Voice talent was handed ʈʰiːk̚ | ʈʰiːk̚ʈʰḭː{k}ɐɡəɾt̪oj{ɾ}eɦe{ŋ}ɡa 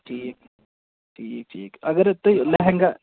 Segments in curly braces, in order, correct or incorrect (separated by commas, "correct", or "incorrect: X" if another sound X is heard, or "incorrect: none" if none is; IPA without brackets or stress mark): correct, incorrect: l, correct